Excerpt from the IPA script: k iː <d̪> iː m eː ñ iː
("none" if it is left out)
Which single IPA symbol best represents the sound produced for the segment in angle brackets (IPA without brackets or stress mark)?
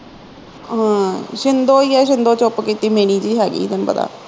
t̪